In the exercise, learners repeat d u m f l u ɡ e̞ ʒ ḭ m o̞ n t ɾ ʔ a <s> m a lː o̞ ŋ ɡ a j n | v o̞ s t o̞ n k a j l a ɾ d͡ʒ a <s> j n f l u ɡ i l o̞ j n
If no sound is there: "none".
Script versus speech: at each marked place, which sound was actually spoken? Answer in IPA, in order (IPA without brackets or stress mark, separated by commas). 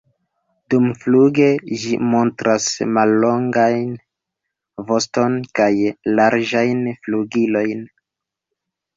s, none